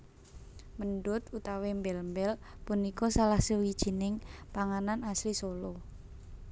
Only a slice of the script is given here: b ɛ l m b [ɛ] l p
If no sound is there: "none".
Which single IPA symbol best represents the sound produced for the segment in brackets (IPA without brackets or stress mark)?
ɛ